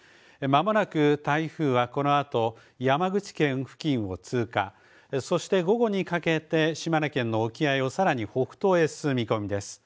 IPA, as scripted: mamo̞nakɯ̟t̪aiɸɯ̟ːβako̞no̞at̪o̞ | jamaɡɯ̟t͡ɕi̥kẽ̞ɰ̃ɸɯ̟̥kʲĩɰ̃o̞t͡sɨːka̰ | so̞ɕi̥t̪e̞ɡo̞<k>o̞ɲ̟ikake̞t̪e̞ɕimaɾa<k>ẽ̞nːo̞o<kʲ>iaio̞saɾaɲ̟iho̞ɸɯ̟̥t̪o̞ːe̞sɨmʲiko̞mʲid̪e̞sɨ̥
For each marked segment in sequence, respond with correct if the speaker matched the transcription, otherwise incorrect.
incorrect, correct, correct

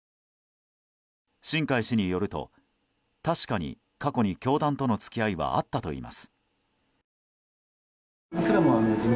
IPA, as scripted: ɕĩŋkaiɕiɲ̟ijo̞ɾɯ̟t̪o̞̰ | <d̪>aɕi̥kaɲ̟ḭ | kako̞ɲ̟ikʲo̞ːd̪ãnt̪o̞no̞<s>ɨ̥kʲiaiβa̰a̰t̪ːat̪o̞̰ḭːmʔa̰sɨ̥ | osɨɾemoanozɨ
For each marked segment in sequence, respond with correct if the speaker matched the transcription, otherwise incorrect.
incorrect, incorrect

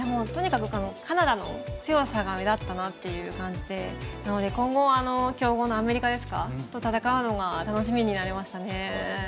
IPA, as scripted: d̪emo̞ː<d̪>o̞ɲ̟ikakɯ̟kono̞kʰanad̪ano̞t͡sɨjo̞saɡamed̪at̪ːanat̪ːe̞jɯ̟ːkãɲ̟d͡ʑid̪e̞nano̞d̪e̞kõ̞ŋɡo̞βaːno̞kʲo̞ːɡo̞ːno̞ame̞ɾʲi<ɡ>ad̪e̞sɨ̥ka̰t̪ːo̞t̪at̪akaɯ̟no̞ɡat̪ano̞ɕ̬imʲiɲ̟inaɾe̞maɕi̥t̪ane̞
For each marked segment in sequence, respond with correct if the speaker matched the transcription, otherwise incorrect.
incorrect, incorrect

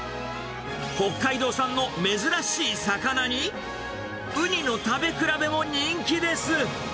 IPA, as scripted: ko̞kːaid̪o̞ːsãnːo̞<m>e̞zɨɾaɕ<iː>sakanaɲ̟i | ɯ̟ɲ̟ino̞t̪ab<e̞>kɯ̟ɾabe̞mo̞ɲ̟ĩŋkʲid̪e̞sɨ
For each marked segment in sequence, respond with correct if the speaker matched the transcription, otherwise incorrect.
correct, correct, correct

